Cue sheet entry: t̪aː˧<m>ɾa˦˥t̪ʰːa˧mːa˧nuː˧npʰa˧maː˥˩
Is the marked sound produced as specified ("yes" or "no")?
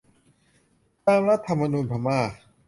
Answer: yes